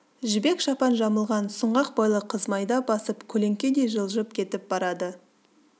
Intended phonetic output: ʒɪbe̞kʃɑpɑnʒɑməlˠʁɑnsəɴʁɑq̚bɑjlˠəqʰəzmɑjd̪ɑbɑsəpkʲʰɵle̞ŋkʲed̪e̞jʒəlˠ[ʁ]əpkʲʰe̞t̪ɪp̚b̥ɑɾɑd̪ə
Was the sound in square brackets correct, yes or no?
no